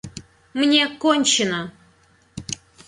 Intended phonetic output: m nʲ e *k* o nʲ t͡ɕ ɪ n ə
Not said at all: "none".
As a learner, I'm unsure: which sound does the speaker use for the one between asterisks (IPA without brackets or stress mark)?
k